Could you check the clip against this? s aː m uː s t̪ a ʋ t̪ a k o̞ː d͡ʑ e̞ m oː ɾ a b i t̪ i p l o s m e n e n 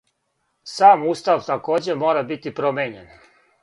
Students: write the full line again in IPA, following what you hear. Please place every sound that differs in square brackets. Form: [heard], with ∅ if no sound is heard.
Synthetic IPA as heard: s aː m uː s t̪ a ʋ t̪ a k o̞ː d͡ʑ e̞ m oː ɾ a b i t̪ i p [ɾ] o [∅] m e [ɲ] e n